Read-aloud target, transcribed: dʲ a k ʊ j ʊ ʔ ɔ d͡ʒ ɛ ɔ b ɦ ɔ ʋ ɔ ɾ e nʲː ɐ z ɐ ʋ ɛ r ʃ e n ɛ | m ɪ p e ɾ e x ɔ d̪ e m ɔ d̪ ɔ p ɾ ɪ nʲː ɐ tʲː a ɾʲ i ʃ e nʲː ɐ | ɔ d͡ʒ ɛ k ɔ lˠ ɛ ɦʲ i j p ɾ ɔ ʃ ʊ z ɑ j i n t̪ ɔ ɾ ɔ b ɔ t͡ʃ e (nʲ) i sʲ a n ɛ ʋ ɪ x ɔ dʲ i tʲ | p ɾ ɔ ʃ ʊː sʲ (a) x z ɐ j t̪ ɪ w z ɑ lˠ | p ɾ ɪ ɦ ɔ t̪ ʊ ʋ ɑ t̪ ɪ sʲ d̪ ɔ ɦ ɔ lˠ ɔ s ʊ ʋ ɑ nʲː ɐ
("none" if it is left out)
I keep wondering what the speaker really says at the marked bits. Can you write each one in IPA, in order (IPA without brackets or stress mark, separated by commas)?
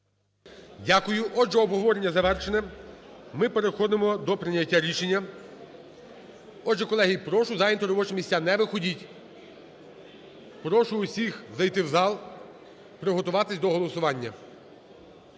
mʲ, i